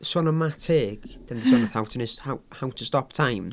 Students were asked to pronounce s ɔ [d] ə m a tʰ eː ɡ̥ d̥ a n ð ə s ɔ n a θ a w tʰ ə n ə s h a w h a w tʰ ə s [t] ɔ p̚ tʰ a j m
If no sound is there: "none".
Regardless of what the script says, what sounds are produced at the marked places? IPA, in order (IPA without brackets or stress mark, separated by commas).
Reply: n, t